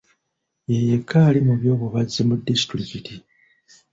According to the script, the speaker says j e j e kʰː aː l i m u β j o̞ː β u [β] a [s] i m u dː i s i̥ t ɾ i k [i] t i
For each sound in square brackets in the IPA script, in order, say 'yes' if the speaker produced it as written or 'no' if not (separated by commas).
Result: yes, no, yes